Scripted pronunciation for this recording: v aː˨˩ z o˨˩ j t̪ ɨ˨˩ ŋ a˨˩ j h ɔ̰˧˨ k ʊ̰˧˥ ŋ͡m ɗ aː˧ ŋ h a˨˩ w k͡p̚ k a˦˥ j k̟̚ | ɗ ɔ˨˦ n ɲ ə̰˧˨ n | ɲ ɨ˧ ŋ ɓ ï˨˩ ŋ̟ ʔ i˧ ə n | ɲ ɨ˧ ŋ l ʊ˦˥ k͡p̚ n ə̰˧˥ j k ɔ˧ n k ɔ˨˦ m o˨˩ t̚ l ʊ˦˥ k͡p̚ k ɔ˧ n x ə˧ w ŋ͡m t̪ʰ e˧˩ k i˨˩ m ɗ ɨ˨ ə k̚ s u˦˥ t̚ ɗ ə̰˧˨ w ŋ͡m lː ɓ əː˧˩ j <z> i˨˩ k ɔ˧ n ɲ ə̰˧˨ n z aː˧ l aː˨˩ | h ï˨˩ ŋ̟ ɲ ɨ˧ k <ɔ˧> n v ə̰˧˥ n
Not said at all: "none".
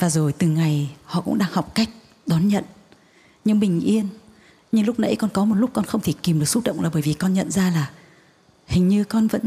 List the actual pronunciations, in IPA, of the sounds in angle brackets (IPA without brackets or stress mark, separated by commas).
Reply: v, ɔ˧